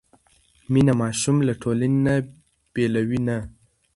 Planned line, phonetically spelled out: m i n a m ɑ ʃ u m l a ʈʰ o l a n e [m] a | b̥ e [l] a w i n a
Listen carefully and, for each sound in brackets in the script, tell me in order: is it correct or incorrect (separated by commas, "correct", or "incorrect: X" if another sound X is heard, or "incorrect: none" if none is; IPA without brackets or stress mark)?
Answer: incorrect: n, correct